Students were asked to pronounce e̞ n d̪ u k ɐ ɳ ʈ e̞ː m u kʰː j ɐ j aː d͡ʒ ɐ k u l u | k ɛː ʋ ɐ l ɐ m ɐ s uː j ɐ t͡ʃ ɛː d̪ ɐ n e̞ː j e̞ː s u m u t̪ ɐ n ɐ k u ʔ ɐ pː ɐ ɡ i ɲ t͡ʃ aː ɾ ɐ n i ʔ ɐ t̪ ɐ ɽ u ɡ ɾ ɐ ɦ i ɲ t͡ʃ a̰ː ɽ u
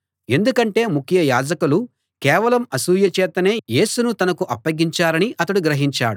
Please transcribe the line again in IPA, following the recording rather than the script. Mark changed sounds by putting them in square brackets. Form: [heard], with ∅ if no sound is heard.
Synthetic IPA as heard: e̞ n d̪ u k ɐ ɳ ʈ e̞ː m u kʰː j ɐ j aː d͡ʒ ɐ k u l u | k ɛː ʋ ɐ l ɐ m ɐ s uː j ɐ t͡ʃ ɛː [t̪] ɐ n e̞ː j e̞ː s u [n] u t̪ ɐ n ɐ k u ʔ ɐ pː ɐ ɡ i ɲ t͡ʃ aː ɾ ɐ n i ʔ ɐ t̪ ɐ ɽ u ɡ ɾ ɐ ɦ i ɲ t͡ʃ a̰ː ɽ u